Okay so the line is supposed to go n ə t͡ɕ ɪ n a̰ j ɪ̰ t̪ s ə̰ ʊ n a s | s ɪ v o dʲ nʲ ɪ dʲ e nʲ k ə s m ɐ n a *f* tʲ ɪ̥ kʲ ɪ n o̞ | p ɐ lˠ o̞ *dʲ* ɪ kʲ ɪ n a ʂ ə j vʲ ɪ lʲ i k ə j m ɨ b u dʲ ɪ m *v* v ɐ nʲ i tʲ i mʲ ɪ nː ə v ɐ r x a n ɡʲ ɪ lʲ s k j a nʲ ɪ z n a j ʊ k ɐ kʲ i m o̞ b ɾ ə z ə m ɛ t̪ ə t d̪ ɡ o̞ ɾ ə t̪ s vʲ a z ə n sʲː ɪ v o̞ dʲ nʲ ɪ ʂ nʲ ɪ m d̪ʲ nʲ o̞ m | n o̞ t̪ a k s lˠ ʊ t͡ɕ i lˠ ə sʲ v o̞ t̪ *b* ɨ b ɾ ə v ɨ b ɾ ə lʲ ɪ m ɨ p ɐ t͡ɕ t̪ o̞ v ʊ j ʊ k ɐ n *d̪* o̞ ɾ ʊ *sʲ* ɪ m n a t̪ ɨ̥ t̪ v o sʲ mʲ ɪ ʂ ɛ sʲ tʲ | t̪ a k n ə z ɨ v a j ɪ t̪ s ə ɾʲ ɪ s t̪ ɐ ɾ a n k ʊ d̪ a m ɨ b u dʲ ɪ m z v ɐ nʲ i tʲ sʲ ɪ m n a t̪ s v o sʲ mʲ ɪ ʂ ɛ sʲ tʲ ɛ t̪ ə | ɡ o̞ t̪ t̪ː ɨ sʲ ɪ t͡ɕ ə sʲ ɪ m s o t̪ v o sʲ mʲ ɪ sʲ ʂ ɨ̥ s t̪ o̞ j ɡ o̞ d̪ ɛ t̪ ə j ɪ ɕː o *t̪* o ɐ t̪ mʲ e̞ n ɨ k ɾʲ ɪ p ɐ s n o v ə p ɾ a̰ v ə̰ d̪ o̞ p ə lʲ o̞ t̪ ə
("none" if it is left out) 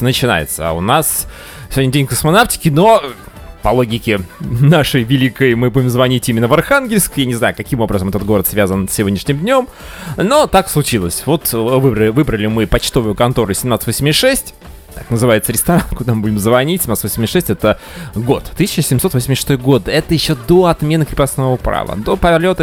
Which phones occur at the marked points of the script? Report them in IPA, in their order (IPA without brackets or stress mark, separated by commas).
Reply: f, ɡʲ, z, v, t̪, sʲ, d̪